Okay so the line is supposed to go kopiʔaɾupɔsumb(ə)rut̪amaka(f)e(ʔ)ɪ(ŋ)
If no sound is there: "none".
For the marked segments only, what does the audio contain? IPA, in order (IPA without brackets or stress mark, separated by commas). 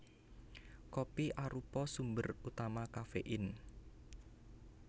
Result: ə, f, ʔ, n